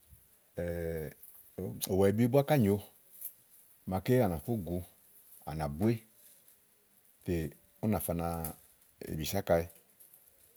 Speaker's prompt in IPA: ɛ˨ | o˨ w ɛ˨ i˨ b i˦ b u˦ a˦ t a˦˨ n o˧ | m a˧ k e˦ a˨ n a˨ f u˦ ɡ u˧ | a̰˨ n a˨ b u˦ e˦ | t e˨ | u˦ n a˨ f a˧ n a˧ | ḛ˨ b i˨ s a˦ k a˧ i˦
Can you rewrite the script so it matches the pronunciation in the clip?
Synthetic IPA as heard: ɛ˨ | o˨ w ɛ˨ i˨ b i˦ b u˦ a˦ k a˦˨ ɲ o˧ | m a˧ k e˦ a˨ n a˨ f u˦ ɡ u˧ | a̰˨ n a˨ b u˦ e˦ | t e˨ | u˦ n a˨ f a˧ n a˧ | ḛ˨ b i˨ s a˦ k a˧ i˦